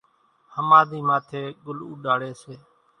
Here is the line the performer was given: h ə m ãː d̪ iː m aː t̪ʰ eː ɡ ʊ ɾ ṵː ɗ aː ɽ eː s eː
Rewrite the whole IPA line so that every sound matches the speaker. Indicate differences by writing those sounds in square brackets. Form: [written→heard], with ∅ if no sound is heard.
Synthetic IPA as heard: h ə m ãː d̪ iː m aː t̪ʰ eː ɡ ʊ [ɾ→l] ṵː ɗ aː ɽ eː s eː